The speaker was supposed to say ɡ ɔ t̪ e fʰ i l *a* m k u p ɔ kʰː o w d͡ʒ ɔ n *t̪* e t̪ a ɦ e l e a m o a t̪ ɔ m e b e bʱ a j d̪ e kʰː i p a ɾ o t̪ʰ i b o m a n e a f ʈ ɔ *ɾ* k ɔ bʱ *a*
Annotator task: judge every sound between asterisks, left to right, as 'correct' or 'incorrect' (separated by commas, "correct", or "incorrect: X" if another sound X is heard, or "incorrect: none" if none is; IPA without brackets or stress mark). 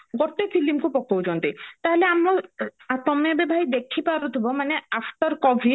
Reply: incorrect: i, correct, correct, incorrect: i